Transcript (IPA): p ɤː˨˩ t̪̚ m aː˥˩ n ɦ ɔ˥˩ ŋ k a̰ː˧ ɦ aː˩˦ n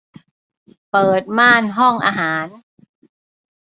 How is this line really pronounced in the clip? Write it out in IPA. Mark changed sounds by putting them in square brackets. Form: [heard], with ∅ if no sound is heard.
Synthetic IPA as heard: p ɤː˨˩ t̪̚ m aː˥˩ n ɦ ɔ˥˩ ŋ [ʔ] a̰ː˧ ɦ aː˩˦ n